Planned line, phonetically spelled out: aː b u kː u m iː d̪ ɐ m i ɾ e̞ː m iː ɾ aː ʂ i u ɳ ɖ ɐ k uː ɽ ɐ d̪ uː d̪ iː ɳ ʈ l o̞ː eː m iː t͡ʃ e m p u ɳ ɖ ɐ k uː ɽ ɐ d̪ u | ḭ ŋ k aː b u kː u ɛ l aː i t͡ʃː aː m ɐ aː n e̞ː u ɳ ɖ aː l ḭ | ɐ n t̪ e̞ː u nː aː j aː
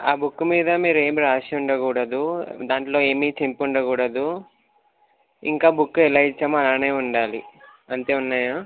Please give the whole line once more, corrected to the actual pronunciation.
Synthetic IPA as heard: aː b u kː u m iː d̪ ɐ m iː ɾ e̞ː m i ɾ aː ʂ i u ɳ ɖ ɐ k uː ɽ ɐ d̪ u d̪ aː ɳ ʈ l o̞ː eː m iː t͡ʃ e m p u ɳ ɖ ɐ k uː ɽ ɐ d̪ u | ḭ ŋ k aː b u kː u ɛ l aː i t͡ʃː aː m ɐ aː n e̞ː u ɳ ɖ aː l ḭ | ɐ n t̪ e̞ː u nː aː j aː

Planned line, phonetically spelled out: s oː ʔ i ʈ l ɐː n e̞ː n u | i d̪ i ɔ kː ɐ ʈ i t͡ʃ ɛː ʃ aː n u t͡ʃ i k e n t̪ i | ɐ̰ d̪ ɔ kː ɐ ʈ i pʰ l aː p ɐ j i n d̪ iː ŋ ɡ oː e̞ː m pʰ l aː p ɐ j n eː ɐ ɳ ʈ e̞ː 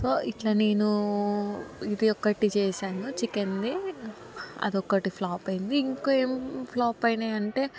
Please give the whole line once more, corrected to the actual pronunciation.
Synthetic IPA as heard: s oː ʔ i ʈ l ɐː n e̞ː n u | i d̪ i ɔ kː ɐ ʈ i t͡ʃ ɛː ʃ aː n u t͡ʃ i k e n d̪ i | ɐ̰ d̪ ɔ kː ɐ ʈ i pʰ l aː p ɐ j i n d̪ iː ŋ k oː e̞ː m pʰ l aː p ɐ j n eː ɐ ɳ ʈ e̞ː

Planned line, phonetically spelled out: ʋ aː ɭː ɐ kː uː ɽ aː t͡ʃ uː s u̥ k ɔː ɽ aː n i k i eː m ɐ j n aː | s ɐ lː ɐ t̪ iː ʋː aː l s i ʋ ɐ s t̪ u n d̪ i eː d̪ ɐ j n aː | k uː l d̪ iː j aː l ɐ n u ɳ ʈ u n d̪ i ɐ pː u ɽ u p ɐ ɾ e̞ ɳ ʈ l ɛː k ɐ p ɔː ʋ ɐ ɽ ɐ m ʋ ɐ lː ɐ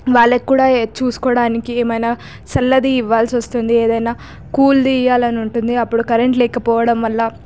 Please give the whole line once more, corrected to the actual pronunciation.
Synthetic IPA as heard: ʋ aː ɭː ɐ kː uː ɽ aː t͡ʃ uː s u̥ k ɔː ɽ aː n i k i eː m ɐ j n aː | s ɐ lː ɐ d̪ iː ʋː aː l s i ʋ ɐ s t̪ u n d̪ i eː d̪ ɐ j n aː | k uː l d̪ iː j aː l ɐ n u ɳ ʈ u n d̪ i ɐ pː u ɽ u k ɐ ɾ e̞ ɳ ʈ l ɛː k ɐ p ɔː ʋ ɐ ɽ ɐ m ʋ ɐ lː ɐ

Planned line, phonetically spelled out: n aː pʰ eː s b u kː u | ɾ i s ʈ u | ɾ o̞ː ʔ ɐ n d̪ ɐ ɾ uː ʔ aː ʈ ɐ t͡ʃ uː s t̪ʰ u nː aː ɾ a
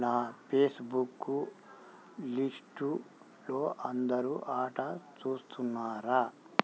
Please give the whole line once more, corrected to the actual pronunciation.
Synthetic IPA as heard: n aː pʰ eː s b u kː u | l i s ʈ u | l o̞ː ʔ ɐ n d̪ ɐ ɾ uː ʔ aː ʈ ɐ t͡ʃ uː s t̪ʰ u nː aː ɾ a

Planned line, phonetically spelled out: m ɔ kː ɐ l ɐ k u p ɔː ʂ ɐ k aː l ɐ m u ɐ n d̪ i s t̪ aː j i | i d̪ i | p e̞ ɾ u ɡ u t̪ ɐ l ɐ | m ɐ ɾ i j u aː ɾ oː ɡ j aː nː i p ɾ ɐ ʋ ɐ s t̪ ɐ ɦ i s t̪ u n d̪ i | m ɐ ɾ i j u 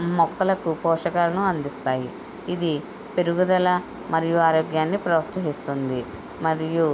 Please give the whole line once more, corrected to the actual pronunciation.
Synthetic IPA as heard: m ɔ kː ɐ l ɐ k u p ɔː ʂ ɐ k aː l ɐ n u ɐ n d̪ i s t̪ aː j i | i d̪ i | p e̞ ɾ u ɡ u d̪ ɐ l ɐ | m ɐ ɾ i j u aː ɾ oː ɡ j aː nː i p ɾ ɐ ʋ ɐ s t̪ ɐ ɦ i s t̪ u n d̪ i | m ɐ ɾ i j u

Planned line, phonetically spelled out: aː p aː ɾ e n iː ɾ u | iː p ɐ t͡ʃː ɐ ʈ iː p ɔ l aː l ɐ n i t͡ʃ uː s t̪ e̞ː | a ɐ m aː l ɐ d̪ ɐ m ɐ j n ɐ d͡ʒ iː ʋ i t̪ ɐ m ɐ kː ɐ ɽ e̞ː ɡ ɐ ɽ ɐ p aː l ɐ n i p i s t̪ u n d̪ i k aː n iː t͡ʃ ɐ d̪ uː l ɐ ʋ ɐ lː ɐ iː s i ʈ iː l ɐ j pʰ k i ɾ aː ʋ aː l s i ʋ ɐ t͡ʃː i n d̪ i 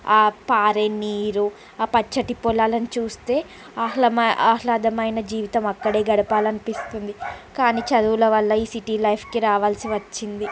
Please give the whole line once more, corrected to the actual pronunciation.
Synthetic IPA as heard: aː p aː ɾ e n iː ɾ u | aː p ɐ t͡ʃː ɐ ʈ i p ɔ l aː l ɐ n i t͡ʃ uː s t̪ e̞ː | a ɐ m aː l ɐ d̪ ɐ m ɐ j n ɐ d͡ʒ iː ʋ i t̪ ɐ m ɐ kː ɐ ɽ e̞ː ɡ ɐ ɽ ɐ p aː l ɐ n i p i s t̪ u n d̪ i k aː n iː t͡ʃ ɐ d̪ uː l ɐ ʋ ɐ lː ɐ iː s i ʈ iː l ɐ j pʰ k i ɾ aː ʋ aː l s i ʋ ɐ t͡ʃː i n d̪ i

